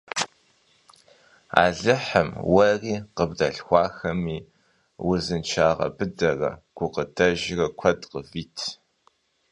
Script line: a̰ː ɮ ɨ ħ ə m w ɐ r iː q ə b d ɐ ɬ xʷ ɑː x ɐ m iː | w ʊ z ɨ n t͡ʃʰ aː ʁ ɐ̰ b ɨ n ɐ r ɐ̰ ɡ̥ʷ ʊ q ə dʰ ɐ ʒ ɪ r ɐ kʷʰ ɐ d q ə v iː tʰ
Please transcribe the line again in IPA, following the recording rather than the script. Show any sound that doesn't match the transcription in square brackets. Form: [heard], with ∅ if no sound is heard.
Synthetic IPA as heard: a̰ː ɮ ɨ ħ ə m w ɐ r iː q ə b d ɐ ɬ xʷ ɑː x ɐ m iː | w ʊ z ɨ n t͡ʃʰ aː ʁ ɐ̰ b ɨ [d] ɐ r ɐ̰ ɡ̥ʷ ʊ q ə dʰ ɐ ʒ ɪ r ɐ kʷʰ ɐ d q ə v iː tʰ